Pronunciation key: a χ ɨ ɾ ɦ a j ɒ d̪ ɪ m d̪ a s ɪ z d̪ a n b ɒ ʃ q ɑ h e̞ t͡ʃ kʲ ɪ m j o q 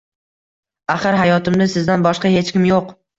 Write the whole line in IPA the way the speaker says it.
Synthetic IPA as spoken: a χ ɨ ɾ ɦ a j ɒ t̪ ɪ m d̪ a s ɪ z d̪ a n b ɒ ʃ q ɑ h e̞ t͡ʃ kʲ ɪ m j o q